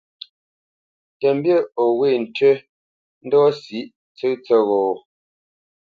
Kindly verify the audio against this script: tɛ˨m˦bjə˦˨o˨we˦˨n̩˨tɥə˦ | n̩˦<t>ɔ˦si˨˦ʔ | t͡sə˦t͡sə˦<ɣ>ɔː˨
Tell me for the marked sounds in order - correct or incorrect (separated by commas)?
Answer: incorrect, correct